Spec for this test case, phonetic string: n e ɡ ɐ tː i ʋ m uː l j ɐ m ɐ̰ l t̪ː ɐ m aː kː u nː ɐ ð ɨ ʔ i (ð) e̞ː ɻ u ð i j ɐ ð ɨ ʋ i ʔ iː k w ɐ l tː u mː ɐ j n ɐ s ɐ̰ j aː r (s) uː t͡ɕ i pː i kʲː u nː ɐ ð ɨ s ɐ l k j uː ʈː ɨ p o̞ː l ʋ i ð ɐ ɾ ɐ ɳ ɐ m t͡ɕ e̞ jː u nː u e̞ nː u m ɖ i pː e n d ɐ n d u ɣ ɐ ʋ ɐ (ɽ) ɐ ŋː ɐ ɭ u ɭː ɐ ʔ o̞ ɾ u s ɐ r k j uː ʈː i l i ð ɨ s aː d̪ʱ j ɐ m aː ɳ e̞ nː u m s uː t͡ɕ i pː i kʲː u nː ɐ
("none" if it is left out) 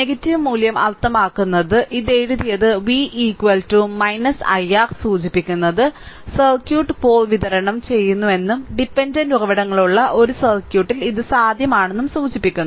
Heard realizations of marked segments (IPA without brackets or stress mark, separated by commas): ð, s, ɽ